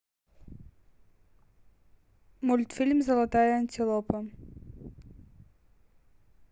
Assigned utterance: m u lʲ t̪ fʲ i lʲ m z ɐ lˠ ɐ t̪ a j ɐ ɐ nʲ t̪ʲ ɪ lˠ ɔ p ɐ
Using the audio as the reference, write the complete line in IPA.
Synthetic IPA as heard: m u lʲ t̪ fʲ i lʲ m z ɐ lˠ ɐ t̪ a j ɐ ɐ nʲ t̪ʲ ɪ lˠ ɔ p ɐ